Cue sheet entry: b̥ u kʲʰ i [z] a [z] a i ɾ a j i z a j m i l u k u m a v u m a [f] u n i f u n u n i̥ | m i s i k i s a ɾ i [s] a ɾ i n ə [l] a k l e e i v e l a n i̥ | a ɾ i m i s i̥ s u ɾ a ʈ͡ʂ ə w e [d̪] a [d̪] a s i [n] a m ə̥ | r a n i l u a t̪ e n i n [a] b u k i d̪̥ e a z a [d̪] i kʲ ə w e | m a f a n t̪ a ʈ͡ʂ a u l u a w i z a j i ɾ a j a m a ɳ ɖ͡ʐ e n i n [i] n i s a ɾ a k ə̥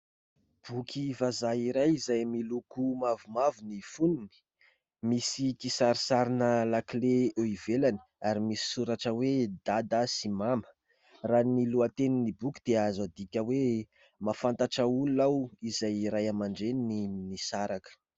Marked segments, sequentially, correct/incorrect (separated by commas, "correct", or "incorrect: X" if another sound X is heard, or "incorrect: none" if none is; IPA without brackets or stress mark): incorrect: v, correct, incorrect: v, correct, correct, correct, correct, incorrect: m, incorrect: i, correct, correct